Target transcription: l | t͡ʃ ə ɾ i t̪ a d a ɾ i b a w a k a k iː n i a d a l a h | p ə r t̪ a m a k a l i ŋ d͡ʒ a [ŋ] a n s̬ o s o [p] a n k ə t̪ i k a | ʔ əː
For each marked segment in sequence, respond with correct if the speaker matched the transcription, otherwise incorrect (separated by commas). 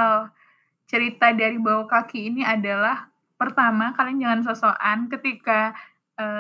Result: correct, incorrect